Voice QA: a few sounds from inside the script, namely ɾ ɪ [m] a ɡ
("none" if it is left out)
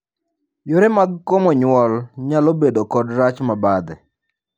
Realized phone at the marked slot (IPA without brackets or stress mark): m